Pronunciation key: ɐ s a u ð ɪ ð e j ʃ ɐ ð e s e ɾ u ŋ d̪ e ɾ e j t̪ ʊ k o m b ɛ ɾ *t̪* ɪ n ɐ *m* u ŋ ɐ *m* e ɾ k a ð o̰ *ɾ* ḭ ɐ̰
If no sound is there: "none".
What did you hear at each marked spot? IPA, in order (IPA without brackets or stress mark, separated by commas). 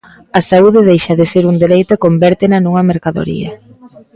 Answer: t̪, n, m, ɾ